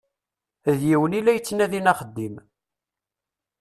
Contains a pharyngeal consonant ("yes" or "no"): no